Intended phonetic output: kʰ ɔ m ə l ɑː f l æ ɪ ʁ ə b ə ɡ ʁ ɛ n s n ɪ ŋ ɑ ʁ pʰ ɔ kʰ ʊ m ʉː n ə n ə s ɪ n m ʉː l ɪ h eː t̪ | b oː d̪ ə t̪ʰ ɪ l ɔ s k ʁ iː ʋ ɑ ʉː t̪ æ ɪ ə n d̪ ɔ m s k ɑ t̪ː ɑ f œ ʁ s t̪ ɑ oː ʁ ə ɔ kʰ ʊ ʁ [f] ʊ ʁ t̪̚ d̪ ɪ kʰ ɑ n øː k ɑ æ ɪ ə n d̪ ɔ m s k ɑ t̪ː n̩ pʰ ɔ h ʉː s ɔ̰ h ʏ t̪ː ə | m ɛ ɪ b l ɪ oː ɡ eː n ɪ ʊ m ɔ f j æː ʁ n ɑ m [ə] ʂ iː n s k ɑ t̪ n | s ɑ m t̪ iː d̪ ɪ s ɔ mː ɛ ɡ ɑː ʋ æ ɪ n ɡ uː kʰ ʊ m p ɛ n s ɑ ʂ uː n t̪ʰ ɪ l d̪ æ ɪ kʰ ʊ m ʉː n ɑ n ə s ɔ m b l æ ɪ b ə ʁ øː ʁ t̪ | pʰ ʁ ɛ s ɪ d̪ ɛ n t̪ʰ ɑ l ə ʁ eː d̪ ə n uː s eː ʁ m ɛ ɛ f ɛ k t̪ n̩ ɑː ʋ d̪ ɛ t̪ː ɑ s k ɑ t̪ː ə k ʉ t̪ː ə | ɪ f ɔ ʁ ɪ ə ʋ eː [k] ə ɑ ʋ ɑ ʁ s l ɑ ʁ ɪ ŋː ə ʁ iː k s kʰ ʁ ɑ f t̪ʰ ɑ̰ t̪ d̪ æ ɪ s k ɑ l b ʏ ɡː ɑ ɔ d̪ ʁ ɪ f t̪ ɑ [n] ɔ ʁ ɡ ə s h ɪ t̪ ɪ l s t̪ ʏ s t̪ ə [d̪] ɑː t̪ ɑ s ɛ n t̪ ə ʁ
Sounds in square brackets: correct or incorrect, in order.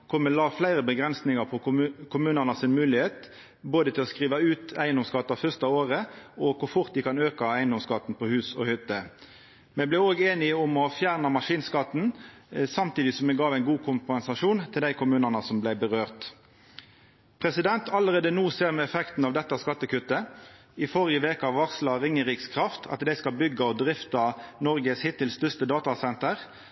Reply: correct, incorrect: ɑ, correct, correct, correct

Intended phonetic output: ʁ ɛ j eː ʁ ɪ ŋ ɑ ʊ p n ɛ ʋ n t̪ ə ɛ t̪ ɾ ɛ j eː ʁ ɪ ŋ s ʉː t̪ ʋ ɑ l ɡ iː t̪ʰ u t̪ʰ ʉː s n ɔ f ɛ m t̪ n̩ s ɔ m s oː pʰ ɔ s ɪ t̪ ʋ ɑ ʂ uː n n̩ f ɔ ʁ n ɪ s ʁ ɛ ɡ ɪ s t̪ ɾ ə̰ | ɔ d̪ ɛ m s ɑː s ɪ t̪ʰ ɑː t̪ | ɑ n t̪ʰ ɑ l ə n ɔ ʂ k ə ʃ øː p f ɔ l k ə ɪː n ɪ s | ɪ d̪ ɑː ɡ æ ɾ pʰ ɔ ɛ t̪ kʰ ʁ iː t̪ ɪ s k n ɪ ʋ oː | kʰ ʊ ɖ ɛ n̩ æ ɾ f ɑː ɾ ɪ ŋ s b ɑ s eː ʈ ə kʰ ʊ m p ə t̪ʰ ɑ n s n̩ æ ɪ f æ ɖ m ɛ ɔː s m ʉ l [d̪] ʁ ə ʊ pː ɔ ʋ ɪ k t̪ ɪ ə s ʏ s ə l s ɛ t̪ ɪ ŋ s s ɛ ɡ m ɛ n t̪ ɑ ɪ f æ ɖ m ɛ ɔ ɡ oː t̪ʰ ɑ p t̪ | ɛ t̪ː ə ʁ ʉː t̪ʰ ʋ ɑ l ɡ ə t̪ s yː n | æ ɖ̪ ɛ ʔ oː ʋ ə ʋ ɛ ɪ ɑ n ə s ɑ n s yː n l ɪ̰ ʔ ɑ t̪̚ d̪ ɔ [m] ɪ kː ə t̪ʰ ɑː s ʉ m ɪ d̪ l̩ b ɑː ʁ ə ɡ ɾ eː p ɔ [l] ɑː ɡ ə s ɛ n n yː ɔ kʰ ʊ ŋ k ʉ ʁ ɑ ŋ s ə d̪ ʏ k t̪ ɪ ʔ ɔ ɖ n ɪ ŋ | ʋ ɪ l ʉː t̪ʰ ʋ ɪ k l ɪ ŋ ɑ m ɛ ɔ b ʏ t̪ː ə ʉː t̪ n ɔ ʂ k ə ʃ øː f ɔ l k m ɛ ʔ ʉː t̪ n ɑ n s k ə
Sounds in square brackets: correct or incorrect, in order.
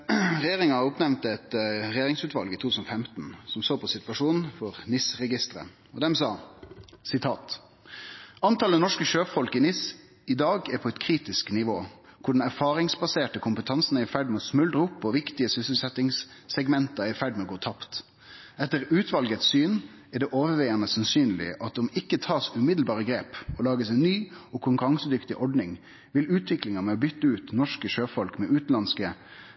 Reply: correct, correct, correct

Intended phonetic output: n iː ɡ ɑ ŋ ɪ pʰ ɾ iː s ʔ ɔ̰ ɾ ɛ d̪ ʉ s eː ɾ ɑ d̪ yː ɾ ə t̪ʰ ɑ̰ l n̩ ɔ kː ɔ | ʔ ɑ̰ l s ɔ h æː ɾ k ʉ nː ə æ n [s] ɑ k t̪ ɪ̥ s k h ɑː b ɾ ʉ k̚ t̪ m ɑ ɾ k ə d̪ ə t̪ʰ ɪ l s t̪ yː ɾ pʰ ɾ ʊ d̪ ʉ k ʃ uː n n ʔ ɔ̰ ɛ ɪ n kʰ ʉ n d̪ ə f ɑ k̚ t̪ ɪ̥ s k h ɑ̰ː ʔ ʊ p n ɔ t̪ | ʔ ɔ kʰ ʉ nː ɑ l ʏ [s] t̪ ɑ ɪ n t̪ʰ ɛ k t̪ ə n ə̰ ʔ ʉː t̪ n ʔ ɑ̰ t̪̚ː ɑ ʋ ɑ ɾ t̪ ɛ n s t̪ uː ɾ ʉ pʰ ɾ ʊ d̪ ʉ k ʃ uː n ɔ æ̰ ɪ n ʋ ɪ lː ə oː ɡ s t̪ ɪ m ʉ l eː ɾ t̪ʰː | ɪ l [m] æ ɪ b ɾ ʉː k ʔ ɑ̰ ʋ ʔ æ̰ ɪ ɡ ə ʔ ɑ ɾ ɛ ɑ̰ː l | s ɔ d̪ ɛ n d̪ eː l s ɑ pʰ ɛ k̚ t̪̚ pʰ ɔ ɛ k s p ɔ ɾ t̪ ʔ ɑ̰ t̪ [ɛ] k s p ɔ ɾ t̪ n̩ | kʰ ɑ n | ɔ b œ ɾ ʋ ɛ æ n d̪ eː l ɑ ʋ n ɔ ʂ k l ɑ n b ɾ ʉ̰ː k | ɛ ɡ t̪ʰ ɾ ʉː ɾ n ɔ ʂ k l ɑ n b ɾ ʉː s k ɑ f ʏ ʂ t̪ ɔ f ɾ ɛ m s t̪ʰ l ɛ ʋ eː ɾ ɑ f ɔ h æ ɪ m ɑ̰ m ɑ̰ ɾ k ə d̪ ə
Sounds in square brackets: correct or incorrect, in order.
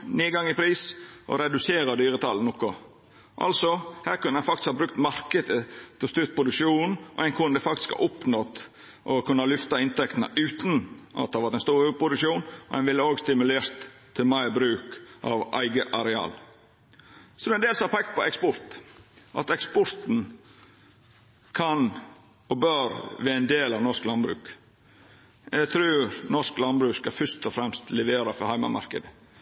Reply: incorrect: f, incorrect: f, correct, correct

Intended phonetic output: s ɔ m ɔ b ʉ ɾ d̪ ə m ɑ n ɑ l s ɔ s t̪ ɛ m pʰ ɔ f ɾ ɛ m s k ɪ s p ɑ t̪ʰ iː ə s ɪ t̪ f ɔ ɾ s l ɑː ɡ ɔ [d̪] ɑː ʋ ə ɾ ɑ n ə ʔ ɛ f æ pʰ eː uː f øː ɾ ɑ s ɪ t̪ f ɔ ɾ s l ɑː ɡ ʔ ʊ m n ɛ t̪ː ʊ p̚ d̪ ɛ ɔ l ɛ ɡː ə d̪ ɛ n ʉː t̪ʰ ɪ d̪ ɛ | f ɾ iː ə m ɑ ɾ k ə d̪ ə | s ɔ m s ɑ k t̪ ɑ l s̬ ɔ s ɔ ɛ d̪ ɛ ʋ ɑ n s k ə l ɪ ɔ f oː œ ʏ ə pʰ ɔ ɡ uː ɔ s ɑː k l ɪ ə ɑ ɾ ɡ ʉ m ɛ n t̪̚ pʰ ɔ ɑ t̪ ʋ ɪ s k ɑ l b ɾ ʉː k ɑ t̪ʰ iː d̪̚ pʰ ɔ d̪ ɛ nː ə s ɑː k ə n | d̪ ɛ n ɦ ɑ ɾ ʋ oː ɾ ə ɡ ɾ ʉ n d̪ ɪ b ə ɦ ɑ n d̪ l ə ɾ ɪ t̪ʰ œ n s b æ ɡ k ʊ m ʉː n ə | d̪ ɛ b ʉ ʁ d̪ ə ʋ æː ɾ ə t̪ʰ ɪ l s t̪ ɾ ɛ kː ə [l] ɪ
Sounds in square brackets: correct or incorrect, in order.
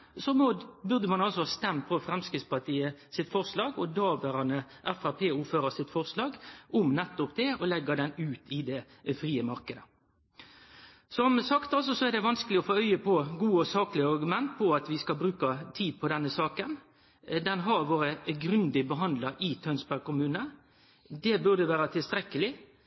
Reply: correct, correct

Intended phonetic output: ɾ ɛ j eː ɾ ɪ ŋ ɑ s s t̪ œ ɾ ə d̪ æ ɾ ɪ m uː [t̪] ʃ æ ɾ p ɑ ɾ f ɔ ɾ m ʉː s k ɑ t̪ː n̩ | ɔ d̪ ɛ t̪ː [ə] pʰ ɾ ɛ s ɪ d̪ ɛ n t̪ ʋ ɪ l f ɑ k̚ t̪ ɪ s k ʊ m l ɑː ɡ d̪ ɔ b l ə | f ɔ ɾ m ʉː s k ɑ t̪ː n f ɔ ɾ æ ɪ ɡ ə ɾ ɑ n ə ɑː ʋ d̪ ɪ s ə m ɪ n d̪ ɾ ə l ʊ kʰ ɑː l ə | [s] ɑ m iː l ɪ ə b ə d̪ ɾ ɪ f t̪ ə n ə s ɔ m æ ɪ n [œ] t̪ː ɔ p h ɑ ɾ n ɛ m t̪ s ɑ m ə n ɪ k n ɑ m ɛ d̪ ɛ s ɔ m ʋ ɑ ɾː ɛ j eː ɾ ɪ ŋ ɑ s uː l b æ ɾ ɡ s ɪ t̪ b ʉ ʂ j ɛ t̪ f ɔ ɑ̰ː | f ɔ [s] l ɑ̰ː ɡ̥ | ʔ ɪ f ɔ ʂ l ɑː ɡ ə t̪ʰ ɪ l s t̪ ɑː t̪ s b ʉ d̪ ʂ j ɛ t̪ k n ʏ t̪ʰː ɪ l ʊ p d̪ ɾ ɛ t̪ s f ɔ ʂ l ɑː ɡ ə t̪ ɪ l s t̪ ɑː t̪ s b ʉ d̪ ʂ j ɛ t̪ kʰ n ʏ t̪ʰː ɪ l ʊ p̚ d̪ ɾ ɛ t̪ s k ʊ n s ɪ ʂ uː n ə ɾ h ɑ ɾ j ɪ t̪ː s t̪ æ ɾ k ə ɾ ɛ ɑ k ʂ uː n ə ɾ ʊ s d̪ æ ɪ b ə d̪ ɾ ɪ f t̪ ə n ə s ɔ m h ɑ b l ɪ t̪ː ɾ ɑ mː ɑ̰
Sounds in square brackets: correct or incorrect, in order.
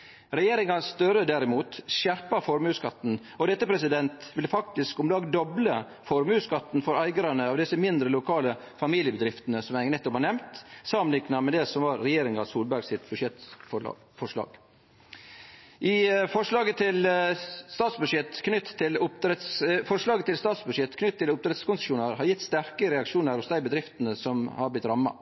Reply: correct, correct, incorrect: f, incorrect: ɛ, incorrect: ʂ

